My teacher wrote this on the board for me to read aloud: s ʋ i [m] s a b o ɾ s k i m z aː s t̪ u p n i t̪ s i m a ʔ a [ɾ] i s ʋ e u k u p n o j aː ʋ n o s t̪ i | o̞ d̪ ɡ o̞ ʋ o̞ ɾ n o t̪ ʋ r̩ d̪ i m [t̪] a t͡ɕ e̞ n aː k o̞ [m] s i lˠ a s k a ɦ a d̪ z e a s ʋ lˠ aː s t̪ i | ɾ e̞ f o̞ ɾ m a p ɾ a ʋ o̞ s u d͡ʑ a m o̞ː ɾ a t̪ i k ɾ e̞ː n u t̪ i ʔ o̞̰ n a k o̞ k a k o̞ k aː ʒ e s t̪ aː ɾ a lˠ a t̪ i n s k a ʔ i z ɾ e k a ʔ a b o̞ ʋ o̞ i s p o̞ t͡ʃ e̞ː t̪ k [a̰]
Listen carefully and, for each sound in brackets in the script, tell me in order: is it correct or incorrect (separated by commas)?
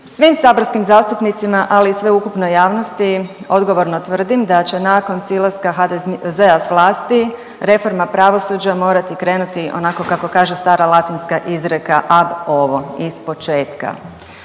correct, incorrect, incorrect, incorrect, correct